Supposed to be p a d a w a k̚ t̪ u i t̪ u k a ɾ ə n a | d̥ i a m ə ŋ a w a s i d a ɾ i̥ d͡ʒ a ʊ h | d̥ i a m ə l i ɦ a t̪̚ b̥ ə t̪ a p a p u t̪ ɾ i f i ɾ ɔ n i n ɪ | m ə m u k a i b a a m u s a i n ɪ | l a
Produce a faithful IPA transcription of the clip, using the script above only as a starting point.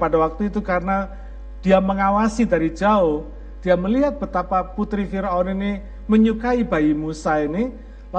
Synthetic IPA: p a d a w a k̚ t̪ u i t̪ u k a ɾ ə n a | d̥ i a m ə ŋ a w a s i d a ɾ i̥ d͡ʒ a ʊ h | d̥ i a m ə l i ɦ a t̪̚ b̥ ə t̪ a p a p u t̪ ɾ i f i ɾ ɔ n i n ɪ | m ə ɲ u k a i b a i m u s a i n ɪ | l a